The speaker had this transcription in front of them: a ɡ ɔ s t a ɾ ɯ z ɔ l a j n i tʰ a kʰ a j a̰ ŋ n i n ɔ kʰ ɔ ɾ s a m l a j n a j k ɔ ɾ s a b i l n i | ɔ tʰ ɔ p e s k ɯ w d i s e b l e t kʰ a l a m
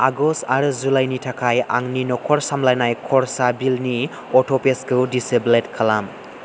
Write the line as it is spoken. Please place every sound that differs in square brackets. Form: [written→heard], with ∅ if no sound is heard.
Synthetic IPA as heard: a ɡ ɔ s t a ɾ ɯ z [ɔ→u] l a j n i tʰ a kʰ a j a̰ ŋ n i n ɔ kʰ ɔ ɾ s a m l a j n a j [k→kʰ] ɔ ɾ s a b i l n i | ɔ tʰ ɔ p e s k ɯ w d i s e b l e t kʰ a l a m